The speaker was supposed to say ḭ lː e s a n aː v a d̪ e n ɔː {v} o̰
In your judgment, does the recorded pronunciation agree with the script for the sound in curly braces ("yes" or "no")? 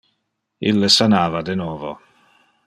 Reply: yes